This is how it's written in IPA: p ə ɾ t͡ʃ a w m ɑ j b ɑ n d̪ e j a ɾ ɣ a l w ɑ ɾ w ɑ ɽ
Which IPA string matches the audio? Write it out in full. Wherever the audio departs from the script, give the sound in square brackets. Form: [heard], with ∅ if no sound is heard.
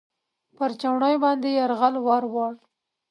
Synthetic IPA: p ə ɾ t͡ʃ a w [ɳ] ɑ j b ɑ n d̪ e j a ɾ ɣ a l w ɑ ɾ w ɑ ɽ